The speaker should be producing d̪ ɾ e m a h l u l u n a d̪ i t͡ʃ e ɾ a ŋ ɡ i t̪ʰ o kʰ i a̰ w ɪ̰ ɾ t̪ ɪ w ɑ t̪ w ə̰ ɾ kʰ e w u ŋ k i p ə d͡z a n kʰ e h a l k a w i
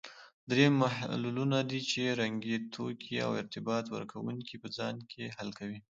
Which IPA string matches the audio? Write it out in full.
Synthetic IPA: d̪ ɾ e m a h l u l u n a d̪ i t͡ʃ e ɾ a ŋ ɡ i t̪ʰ o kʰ i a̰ w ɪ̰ ɾ t̪ ɪ b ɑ t̪ w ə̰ ɾ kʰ a w u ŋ k i p ə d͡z ɑ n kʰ e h a l k a w i